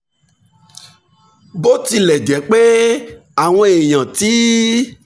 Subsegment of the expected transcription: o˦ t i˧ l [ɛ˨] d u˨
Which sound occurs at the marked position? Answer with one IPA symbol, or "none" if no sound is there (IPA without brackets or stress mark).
ɛ˨